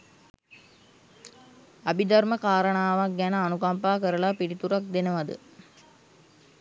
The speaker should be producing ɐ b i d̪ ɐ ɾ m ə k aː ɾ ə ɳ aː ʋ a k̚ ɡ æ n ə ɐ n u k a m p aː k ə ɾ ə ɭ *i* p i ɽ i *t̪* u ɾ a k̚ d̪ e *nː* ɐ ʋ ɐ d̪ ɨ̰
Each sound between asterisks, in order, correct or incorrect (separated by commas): incorrect, correct, incorrect